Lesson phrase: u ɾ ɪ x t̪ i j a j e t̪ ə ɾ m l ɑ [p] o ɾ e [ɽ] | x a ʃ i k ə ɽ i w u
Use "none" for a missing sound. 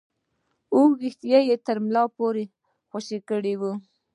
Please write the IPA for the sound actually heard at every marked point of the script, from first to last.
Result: p, none

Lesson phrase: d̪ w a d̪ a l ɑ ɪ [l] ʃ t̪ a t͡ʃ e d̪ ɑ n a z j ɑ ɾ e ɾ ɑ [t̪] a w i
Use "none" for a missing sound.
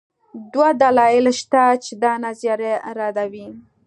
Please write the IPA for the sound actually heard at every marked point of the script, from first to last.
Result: l, d̪

